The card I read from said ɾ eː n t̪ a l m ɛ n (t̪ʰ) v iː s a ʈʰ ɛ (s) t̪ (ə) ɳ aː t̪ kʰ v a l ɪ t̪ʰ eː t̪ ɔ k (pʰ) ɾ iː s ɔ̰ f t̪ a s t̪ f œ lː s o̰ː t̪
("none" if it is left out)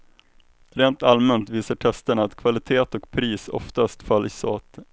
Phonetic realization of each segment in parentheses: t̪, s, ə, pʰ

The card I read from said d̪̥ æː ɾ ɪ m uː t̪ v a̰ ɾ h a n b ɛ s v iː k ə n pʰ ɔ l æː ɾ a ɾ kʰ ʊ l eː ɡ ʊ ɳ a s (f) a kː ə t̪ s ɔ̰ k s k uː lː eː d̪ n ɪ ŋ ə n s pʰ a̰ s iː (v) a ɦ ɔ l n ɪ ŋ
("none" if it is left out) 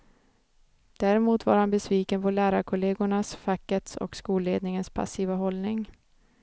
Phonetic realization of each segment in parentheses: f, v

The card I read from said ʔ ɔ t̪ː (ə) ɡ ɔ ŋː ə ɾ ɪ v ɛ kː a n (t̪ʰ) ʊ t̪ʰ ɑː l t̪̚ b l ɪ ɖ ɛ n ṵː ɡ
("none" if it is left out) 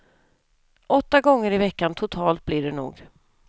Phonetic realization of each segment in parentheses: a, t̪ʰ

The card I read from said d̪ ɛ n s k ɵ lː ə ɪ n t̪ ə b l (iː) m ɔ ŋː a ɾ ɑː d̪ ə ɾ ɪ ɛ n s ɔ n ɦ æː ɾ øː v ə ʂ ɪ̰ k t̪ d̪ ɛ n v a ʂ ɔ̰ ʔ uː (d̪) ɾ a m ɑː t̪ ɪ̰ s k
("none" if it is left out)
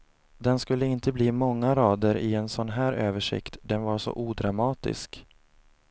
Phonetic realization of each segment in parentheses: iː, d̪

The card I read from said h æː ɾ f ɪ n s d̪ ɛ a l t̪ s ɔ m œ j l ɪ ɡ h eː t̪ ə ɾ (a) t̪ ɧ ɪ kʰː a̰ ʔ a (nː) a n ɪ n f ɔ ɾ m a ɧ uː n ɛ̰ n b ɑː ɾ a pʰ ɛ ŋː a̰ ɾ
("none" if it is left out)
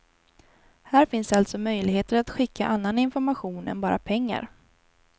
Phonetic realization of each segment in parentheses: a, nː

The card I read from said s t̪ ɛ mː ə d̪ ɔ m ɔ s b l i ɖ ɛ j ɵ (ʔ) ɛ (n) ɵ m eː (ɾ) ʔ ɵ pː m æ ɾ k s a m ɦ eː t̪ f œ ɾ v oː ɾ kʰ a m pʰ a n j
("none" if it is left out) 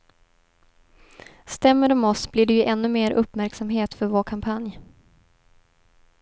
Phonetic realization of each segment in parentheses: ʔ, nː, ɾ

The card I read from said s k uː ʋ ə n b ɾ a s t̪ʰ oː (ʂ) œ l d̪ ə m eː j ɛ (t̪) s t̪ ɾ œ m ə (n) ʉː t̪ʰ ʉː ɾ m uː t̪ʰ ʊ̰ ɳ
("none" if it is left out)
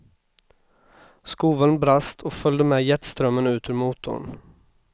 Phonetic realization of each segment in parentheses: f, t̪, n

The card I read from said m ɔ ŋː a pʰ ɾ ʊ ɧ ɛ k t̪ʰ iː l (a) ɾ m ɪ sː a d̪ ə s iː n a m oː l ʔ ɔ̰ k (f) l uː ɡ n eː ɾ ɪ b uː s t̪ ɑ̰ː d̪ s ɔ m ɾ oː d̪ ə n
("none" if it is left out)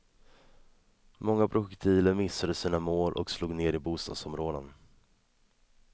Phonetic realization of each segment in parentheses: ə, s

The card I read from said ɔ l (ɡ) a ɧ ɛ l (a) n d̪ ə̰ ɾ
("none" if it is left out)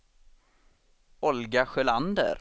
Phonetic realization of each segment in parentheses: ɡ, a

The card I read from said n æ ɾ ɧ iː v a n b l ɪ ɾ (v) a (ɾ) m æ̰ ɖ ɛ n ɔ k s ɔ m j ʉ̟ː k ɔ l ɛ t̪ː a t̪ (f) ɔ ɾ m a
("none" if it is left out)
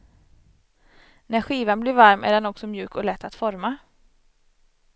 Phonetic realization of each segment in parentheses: v, ɾ, f

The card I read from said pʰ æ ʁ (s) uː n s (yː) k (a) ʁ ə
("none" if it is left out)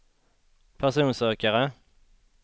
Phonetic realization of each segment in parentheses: s, øː, ə

